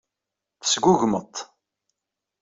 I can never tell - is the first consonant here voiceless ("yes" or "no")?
yes